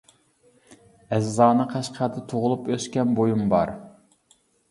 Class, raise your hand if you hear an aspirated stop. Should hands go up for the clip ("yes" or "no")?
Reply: yes